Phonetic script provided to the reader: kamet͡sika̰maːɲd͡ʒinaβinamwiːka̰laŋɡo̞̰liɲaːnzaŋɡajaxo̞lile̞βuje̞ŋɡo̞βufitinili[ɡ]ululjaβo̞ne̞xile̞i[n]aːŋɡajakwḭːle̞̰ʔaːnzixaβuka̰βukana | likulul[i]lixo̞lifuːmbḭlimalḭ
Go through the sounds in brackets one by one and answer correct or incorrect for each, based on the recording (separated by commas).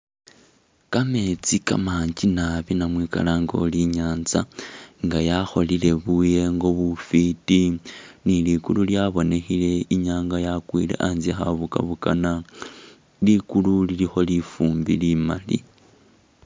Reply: incorrect, incorrect, correct